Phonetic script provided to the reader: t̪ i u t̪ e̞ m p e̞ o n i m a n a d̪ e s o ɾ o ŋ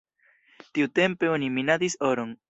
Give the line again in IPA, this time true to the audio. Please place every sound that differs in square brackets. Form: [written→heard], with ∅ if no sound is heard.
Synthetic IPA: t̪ i u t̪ e̞ m p e̞ o n i m [a→i] n a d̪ [e→i] s o ɾ o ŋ